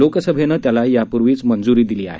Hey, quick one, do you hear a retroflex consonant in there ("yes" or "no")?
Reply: no